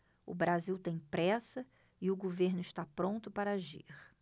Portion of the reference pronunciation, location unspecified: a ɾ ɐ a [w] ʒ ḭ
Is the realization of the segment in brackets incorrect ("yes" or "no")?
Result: yes